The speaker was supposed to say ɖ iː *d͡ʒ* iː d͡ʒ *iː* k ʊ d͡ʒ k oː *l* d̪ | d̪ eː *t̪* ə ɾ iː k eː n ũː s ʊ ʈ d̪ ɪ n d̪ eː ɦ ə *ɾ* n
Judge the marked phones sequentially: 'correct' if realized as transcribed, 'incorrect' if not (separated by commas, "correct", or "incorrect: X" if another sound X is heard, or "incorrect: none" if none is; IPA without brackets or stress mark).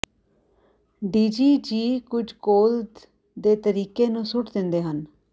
correct, correct, correct, correct, incorrect: none